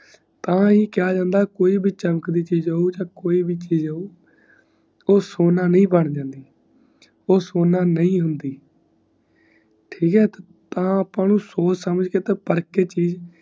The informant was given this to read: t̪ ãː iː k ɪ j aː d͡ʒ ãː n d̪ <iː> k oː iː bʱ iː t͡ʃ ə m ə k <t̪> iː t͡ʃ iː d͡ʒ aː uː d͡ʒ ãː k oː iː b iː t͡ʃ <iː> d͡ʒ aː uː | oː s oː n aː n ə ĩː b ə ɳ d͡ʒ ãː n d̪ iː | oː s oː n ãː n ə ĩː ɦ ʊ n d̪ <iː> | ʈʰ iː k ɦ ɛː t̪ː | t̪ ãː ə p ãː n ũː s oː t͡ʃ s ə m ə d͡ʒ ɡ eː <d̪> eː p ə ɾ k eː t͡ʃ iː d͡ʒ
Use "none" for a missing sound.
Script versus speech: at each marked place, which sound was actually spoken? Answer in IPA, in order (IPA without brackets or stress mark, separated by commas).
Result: aː, d̪, iː, iː, t̪